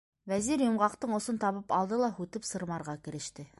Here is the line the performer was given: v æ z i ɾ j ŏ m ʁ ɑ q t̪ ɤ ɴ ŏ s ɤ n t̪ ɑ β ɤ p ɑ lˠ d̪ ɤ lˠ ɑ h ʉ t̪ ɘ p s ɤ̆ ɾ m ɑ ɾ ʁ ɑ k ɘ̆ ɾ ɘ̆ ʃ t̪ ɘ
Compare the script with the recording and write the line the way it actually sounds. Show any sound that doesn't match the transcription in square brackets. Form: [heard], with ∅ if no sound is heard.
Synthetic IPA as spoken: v æ z i ɾ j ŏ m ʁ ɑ q t̪ ɤ ɴ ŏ s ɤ n t̪ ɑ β ɤ p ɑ lˠ d̪ ɤ lˠ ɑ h ʉ t̪ ɘ p s ɤ̆ ɾ m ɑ ɾ ʁ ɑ k ɘ̆ ɾ ɘ̆ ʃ t̪ ɘ

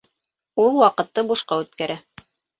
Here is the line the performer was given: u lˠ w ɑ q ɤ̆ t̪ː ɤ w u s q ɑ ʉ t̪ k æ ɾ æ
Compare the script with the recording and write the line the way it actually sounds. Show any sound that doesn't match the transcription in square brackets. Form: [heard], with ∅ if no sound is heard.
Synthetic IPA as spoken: u lˠ w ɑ q ɤ̆ t̪ː ɤ [b] u [ʃ] q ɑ ʉ t̪ k æ ɾ æ

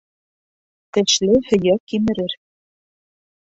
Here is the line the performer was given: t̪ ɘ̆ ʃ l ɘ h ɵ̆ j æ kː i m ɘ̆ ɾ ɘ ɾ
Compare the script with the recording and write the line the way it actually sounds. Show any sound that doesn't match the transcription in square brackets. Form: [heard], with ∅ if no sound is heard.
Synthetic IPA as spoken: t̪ ɘ̆ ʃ l ɘ h ɵ̆ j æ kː i m ɘ̆ ɾ ɘ ɾ

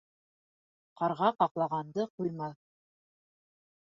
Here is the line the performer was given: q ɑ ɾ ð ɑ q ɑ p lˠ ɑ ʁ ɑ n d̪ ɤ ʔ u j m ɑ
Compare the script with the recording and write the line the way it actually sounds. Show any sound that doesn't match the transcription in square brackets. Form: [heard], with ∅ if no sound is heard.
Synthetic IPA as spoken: q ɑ ɾ [ʁ] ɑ q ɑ [q] lˠ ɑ ʁ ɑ n d̪ ɤ [q] u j m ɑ

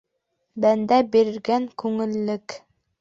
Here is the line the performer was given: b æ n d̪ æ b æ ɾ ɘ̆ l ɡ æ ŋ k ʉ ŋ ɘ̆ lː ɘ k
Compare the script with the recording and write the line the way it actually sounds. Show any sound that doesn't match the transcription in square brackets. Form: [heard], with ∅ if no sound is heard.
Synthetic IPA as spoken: b æ n d̪ æ b [i] ɾ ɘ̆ [ɾ] ɡ æ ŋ k ʉ ŋ ɘ̆ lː ɘ k

